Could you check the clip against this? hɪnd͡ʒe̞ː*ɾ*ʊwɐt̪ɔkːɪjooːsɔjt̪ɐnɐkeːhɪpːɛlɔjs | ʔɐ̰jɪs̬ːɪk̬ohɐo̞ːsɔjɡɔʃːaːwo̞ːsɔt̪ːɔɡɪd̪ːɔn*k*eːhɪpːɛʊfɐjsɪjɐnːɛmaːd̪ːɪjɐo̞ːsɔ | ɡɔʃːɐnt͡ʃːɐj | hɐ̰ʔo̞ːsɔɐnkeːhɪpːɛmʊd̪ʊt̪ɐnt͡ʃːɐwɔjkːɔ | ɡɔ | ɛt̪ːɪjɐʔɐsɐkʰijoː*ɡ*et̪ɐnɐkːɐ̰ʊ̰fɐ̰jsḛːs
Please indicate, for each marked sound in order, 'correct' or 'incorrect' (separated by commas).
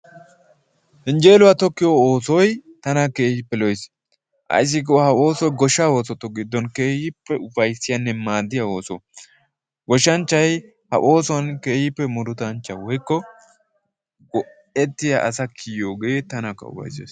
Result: incorrect, correct, correct